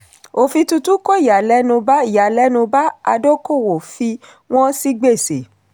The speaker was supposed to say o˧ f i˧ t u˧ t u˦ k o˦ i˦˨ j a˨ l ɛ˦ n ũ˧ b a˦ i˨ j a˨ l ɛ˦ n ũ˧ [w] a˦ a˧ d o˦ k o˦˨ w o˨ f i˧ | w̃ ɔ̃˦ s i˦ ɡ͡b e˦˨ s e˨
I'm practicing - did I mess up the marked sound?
yes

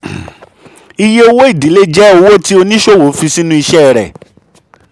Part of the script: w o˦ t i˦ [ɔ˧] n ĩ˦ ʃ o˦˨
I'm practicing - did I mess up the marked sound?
yes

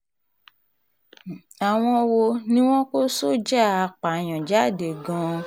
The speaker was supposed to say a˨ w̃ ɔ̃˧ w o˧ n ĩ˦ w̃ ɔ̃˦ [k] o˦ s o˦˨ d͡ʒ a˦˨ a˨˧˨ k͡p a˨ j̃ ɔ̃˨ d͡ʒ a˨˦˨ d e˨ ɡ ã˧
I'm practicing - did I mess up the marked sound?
no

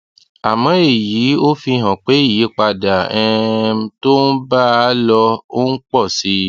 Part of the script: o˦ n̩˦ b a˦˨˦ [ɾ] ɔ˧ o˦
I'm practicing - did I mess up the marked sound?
yes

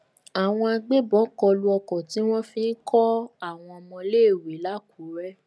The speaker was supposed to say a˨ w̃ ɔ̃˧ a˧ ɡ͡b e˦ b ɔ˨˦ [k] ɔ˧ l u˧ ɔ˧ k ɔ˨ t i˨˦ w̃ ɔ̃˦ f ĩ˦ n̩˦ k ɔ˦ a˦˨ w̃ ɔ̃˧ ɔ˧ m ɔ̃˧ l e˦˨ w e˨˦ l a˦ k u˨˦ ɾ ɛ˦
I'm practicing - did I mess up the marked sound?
no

